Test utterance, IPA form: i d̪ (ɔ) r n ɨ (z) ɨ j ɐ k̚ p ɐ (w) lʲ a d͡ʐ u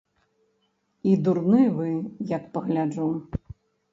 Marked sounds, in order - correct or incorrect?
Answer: incorrect: u, incorrect: v, incorrect: ɣ

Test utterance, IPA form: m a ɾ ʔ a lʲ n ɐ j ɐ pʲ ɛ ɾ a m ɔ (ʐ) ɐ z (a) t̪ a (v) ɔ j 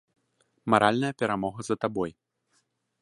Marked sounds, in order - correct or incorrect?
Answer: incorrect: ɣ, incorrect: ɐ, incorrect: b

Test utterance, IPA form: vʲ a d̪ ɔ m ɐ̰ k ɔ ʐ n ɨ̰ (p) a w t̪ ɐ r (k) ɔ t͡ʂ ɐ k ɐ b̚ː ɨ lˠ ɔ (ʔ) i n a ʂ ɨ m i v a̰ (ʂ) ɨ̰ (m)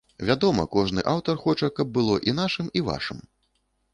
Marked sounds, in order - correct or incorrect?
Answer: incorrect: ʔ, incorrect: x, correct, correct, correct

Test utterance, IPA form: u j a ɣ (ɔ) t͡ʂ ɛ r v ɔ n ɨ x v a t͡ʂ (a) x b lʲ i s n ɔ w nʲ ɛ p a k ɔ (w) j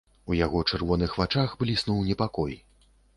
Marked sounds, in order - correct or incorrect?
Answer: correct, correct, incorrect: none

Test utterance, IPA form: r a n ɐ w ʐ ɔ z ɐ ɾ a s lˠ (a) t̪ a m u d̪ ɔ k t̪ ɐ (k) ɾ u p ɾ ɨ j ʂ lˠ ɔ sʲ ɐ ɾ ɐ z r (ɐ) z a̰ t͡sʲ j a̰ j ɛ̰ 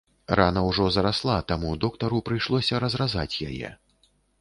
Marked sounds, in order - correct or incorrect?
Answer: correct, incorrect: none, incorrect: a

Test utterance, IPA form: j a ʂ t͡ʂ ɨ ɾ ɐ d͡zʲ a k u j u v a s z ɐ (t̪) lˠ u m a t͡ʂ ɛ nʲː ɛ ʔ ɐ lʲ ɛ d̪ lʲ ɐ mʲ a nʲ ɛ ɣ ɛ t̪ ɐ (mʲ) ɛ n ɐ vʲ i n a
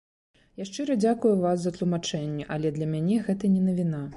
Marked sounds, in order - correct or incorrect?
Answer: correct, incorrect: nʲ

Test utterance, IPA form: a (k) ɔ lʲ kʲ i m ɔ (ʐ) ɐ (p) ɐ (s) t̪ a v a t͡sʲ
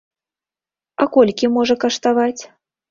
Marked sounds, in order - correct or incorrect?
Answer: correct, correct, incorrect: k, incorrect: ʂ

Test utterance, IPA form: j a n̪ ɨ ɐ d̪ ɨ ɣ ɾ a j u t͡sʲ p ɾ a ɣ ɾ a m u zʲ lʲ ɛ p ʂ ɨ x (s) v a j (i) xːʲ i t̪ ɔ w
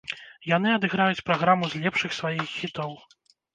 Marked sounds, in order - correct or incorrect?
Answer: correct, correct

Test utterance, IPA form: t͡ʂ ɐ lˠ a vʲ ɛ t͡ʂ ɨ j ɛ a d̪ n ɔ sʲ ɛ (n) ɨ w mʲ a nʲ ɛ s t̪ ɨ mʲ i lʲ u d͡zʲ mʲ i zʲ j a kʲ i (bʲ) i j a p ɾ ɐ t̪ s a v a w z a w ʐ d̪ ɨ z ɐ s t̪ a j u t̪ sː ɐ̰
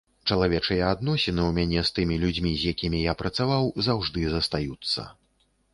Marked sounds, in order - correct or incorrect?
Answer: correct, incorrect: mʲ

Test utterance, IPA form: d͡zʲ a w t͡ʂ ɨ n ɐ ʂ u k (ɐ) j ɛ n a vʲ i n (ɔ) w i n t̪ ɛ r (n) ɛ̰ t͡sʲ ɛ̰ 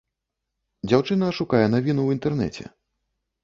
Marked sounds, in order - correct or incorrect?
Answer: incorrect: a, incorrect: u, correct

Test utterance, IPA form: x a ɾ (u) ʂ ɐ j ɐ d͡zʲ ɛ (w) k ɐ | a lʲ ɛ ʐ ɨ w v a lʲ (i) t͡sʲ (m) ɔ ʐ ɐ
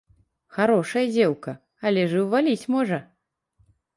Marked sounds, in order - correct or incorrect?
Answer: incorrect: ɔ, correct, correct, correct

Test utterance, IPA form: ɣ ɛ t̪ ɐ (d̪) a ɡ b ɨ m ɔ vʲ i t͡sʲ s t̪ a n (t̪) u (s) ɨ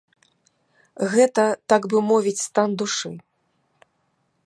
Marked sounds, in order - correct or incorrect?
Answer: incorrect: t̪, incorrect: d̪, incorrect: ʂ

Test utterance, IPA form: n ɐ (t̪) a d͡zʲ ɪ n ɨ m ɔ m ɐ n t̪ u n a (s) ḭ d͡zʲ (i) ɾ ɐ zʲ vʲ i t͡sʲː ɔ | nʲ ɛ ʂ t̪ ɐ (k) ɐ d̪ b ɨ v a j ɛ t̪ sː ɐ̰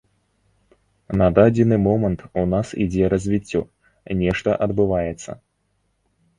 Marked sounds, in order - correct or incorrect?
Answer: incorrect: d̪, correct, incorrect: ɛ, incorrect: ʔ

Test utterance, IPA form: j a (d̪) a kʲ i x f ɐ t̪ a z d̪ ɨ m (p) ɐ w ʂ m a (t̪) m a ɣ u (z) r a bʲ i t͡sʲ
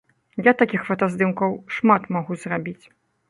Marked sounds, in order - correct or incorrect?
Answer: incorrect: t̪, incorrect: k, correct, correct

